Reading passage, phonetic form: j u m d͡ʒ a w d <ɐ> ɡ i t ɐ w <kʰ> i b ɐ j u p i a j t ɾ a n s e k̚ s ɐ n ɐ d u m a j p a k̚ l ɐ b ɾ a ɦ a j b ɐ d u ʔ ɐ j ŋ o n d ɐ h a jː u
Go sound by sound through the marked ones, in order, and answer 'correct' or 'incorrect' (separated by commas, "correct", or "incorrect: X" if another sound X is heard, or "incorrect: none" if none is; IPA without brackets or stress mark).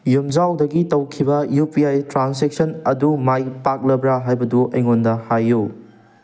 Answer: correct, correct